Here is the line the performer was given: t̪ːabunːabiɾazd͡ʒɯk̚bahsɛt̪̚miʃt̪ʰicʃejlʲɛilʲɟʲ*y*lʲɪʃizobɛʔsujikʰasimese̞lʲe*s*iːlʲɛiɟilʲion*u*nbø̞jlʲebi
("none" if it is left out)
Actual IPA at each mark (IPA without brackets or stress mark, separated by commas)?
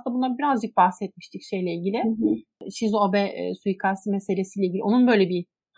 i, s, u